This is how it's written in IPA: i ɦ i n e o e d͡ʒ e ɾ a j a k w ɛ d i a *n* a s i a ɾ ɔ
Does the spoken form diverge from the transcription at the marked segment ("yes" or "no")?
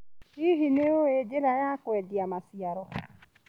yes